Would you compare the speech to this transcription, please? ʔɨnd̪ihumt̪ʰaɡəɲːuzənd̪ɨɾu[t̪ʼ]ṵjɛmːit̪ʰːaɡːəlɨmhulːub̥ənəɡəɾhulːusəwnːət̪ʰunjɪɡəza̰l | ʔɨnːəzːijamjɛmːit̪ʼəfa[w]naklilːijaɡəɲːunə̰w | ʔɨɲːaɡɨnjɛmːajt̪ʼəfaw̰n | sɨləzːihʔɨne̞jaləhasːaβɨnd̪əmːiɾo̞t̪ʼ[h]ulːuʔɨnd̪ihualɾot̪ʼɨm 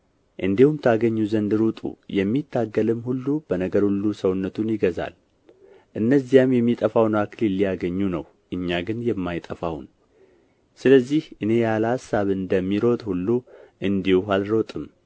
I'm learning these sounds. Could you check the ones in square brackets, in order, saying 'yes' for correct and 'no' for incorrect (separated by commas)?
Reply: yes, yes, yes